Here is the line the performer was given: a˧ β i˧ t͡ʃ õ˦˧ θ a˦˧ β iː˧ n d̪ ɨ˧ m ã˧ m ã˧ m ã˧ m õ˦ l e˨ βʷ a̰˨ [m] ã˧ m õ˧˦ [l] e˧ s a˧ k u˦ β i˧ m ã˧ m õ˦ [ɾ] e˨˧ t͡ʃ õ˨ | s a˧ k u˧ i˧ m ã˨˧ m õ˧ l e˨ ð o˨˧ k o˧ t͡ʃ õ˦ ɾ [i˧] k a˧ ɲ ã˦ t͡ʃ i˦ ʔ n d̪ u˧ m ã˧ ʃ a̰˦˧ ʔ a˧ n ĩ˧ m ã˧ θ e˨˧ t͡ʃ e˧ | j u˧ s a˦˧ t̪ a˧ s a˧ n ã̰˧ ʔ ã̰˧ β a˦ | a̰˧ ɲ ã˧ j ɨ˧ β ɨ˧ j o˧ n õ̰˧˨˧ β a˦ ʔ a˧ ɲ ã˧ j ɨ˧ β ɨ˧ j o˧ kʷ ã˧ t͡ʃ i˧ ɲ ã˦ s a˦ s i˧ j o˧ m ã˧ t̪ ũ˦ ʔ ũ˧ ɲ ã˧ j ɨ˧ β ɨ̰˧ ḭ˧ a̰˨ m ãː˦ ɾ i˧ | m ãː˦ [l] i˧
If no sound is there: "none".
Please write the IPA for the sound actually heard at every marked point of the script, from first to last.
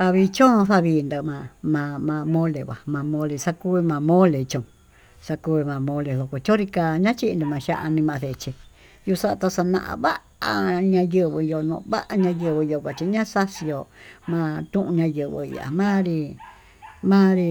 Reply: m, l, l, i˧, ɾ

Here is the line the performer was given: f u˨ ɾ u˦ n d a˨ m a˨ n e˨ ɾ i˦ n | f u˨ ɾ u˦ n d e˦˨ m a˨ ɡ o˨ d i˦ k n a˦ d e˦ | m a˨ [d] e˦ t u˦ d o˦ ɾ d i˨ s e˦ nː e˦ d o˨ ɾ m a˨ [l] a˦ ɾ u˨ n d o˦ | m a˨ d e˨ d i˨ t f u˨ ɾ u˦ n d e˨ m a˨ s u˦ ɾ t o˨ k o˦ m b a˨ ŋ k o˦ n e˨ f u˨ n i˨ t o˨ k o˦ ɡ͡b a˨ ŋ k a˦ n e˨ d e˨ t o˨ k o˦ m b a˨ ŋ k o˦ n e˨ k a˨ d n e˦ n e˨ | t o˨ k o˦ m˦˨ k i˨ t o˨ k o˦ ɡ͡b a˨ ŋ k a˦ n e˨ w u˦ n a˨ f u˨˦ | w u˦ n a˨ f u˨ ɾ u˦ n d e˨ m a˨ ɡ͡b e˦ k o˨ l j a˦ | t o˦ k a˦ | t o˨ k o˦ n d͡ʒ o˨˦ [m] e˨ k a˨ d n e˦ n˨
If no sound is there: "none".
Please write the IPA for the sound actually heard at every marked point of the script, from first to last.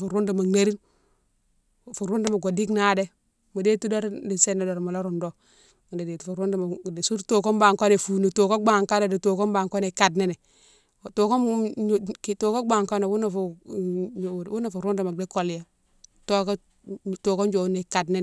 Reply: d, l, n

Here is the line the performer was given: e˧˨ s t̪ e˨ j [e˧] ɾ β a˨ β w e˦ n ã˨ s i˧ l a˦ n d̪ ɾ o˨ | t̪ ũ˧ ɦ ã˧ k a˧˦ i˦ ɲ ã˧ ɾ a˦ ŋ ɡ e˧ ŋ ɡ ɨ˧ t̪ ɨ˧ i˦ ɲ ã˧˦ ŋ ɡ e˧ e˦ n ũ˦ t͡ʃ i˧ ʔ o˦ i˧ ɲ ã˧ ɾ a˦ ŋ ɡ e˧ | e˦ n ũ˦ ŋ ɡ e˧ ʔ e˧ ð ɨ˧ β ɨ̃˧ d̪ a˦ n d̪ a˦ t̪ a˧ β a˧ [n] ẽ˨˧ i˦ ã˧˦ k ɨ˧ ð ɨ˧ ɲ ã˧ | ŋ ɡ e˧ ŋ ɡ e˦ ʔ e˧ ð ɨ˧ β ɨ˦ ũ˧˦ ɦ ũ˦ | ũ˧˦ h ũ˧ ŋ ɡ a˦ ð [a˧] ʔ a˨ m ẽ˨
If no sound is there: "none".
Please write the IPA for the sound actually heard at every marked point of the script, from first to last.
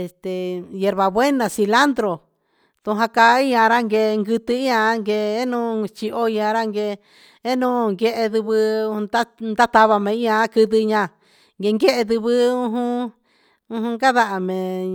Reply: e˧, m, a˧

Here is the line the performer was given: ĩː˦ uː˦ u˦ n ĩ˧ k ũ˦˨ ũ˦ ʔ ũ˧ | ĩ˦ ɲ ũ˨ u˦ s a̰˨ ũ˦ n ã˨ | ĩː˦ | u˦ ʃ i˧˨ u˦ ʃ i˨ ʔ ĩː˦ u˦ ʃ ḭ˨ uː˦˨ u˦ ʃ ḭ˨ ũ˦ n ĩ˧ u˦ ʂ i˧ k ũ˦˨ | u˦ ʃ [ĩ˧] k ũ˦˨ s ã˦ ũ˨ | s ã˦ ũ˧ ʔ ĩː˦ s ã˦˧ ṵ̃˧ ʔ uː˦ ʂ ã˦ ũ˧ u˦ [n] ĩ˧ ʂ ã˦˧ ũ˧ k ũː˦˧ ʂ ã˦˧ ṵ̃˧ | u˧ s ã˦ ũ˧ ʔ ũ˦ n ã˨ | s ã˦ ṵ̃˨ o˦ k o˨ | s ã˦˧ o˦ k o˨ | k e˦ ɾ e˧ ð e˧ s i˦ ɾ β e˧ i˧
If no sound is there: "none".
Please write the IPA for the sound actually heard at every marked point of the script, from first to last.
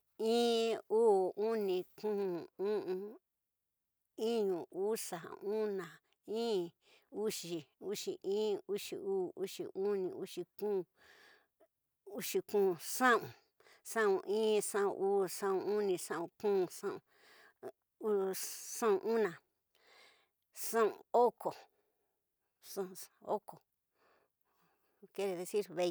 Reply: i˧, n

